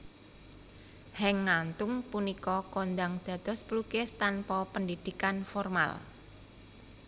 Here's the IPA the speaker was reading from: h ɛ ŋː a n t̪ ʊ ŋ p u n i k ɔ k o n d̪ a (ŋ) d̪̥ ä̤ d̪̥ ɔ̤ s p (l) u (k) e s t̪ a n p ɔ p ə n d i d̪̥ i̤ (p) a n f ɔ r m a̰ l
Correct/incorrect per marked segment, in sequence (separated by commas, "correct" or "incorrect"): correct, correct, correct, incorrect